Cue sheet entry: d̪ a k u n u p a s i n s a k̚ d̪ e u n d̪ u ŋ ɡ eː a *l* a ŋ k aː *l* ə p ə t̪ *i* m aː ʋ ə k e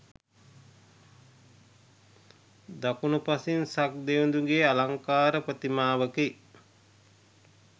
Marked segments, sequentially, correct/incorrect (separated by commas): correct, incorrect, correct